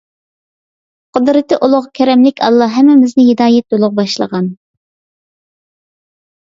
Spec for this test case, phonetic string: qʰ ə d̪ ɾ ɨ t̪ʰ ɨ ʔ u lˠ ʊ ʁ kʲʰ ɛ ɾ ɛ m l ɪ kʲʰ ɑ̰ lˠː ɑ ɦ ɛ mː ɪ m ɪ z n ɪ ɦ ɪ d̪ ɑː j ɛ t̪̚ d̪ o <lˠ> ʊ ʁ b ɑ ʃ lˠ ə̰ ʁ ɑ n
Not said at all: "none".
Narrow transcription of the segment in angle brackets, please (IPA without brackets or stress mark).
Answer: lˠ